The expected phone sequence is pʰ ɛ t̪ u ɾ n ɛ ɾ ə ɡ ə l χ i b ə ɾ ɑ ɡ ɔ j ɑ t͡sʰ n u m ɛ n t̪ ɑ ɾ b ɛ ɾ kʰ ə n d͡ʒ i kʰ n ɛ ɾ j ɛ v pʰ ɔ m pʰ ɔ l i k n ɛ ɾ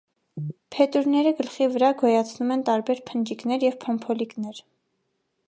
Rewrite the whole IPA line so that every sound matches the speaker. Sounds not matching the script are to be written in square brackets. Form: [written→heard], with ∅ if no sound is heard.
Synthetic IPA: pʰ ɛ t̪ u ɾ n ɛ ɾ ə ɡ ə l χ i [b→v] ə ɾ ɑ ɡ ɔ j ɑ t͡sʰ n u m ɛ n t̪ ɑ ɾ b ɛ ɾ [kʰ→pʰ] ə n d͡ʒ i [kʰ→k] n ɛ ɾ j ɛ v pʰ ɔ m pʰ ɔ l i k n ɛ ɾ